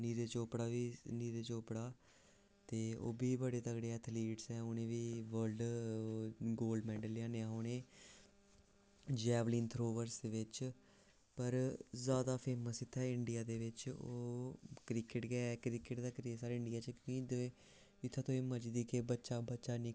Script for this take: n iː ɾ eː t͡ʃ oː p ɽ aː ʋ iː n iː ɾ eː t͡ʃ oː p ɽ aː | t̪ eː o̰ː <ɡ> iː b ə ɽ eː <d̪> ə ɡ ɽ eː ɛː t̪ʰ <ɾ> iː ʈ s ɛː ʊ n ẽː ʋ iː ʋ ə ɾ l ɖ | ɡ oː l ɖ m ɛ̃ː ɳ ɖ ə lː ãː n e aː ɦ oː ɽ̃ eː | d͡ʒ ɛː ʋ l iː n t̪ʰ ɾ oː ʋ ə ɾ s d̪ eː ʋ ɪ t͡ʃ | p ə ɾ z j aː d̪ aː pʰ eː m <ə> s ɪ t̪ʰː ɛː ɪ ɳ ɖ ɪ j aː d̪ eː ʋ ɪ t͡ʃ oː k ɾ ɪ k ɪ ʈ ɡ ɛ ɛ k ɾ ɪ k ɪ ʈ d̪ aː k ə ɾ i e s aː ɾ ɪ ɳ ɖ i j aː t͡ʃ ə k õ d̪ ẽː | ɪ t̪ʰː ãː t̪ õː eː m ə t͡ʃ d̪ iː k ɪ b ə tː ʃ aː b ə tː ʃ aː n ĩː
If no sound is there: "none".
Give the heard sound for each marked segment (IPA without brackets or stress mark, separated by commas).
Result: b, t̪, l, ə